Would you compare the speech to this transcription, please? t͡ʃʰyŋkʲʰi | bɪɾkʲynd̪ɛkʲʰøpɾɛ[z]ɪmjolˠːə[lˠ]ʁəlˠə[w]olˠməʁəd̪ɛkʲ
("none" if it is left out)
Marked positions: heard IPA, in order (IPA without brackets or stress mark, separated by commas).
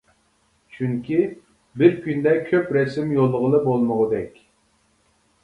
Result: s, none, b